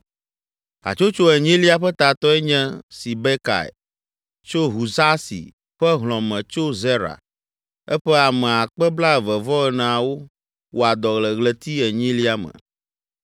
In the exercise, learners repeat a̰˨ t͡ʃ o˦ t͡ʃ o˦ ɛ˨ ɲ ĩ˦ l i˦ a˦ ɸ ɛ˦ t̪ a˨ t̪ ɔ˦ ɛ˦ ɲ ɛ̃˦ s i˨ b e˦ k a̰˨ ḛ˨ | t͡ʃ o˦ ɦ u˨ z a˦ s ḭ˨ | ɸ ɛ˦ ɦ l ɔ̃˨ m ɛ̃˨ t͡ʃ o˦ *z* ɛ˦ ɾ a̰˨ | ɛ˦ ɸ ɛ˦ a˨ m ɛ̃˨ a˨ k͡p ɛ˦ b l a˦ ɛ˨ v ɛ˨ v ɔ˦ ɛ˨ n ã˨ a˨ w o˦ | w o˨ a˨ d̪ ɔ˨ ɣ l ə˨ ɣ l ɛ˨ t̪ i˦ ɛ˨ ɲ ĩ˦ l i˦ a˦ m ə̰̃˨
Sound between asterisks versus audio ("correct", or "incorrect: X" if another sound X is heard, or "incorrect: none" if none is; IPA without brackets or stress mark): correct